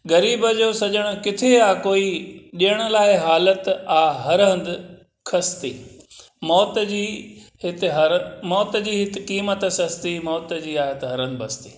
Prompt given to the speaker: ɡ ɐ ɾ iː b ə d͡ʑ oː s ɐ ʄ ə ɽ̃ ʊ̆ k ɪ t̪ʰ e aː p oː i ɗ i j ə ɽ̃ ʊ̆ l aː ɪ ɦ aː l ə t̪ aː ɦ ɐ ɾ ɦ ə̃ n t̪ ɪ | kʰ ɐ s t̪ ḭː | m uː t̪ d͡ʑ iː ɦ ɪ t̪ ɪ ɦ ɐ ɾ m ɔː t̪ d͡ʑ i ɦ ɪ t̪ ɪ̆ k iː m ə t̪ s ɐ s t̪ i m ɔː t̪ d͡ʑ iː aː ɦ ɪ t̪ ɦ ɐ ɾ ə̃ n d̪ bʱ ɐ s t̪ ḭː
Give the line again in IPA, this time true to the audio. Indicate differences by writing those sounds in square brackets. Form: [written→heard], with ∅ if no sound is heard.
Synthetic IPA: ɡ ɐ ɾ iː b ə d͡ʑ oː s ɐ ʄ ə ɽ̃ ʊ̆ k ɪ t̪ʰ e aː [p→k] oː i ɗ i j ə ɽ̃ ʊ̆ l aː ɪ ɦ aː l ə t̪ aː ɦ ɐ ɾ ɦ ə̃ n [t̪→d̪] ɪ | kʰ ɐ s t̪ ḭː | m [uː→ɔː] t̪ d͡ʑ iː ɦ ɪ t̪ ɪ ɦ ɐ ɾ m ɔː t̪ d͡ʑ [i→iː] ɦ ɪ t̪ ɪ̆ k iː m ə t̪ s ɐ s t̪ i m ɔː t̪ d͡ʑ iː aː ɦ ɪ t̪ ɦ ɐ ɾ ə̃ n d̪ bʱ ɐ s t̪ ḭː